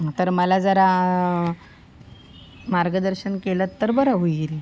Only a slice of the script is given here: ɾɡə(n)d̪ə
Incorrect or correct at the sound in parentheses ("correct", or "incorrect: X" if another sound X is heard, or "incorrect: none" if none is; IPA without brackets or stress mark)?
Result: incorrect: none